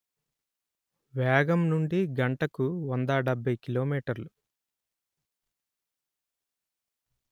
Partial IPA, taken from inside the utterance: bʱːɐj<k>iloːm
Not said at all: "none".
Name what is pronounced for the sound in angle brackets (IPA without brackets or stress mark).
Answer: k